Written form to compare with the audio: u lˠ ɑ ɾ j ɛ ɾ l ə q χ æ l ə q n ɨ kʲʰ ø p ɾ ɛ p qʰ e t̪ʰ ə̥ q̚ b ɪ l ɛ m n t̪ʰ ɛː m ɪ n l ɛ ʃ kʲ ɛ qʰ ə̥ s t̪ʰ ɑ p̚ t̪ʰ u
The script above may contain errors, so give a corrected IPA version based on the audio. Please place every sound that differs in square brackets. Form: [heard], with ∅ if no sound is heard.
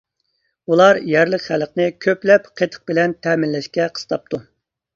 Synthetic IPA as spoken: u lˠ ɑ ɾ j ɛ ɾ l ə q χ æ l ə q n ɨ kʲʰ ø p [l] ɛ p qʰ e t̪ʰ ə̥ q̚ b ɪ l ɛ [∅] n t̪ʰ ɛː m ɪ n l ɛ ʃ kʲ ɛ qʰ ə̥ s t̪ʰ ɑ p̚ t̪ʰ u